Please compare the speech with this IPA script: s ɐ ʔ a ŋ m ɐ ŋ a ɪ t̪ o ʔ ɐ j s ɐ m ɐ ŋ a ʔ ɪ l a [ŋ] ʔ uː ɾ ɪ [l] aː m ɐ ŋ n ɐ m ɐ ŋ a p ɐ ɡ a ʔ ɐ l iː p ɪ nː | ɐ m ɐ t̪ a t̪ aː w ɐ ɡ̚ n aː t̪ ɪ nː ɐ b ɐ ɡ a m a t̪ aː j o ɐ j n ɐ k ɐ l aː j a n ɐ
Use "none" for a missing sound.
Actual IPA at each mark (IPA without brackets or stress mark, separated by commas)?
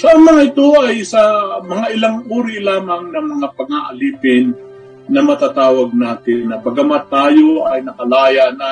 ŋ, l